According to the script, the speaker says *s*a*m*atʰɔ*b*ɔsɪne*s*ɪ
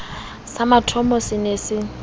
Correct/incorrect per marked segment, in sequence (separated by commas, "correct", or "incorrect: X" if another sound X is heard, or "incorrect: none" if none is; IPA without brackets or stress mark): correct, correct, incorrect: m, correct